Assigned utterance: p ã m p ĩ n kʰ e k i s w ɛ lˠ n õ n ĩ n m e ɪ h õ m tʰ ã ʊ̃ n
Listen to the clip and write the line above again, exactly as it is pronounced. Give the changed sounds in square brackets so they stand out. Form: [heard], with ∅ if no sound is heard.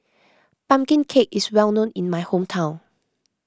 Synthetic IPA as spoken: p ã m [k] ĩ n kʰ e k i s w ɛ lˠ n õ n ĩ n m [a] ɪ h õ m tʰ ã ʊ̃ n